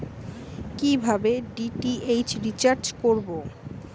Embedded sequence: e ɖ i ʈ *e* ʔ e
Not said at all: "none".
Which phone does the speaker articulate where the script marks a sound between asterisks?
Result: i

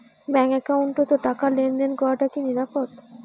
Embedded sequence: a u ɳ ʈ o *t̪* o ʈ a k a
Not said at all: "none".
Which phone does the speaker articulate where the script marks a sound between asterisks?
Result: t̪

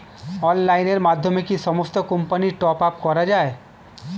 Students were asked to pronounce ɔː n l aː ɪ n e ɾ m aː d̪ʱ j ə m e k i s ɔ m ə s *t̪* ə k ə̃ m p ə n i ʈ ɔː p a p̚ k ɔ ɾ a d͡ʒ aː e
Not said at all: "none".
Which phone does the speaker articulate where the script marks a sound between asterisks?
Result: t̪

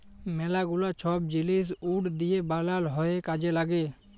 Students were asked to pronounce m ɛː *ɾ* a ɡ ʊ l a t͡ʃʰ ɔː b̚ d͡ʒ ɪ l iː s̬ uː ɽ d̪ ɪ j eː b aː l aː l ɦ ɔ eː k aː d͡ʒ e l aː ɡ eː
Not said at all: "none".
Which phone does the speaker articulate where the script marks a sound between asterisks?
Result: l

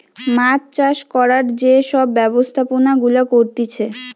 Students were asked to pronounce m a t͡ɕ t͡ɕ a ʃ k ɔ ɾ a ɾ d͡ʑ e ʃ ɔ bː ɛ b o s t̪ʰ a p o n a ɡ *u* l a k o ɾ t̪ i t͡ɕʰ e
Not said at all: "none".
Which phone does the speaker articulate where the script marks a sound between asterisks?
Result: u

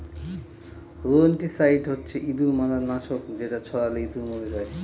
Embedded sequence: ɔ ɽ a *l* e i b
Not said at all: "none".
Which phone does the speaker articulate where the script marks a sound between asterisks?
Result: l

